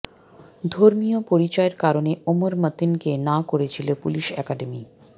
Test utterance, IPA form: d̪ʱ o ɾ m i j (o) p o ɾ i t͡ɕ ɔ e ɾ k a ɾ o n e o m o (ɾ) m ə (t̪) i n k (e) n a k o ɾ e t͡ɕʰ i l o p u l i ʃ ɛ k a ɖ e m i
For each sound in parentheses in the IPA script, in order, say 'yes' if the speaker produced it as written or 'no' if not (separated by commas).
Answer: yes, yes, yes, yes